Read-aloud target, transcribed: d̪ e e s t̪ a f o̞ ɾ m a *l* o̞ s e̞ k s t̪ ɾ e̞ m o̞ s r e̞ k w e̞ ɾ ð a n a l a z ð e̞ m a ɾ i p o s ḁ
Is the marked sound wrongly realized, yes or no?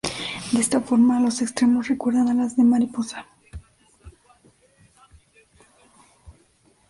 no